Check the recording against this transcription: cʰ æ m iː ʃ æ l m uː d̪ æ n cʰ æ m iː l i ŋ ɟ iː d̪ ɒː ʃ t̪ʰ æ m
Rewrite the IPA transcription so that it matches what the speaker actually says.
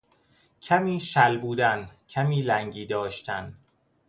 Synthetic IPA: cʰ æ m iː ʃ æ l b uː d̪ æ n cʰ æ m iː l æ ŋ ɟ iː d̪ ɒː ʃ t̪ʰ æ n